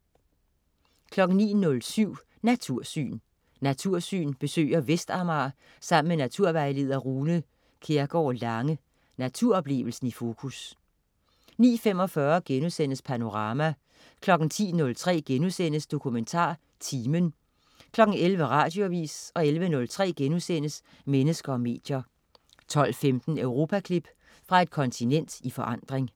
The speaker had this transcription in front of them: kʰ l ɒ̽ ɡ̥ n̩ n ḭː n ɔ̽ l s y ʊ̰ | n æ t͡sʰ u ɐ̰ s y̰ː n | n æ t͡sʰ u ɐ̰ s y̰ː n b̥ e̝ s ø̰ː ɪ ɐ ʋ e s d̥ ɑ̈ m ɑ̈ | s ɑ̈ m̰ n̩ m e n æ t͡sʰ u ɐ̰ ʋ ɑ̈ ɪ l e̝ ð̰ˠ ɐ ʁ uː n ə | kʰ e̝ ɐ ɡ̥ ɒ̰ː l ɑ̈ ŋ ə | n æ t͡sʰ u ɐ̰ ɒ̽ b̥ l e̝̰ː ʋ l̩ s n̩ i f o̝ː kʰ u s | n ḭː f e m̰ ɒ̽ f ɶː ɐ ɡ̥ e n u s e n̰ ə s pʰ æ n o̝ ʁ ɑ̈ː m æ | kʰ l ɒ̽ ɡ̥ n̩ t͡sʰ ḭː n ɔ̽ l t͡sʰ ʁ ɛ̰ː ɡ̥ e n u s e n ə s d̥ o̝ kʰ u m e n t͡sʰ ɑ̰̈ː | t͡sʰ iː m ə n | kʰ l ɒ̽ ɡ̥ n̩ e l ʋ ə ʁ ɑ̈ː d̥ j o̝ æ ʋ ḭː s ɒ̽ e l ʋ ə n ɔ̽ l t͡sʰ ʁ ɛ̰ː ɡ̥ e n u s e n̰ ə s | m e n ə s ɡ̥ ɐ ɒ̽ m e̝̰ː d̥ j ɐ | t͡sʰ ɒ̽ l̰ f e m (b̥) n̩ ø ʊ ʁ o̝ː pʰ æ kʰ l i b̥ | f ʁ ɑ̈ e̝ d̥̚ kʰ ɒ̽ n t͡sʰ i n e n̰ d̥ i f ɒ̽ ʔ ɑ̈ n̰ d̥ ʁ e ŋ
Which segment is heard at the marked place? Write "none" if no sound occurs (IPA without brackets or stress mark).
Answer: d̥